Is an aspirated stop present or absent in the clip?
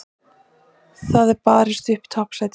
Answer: present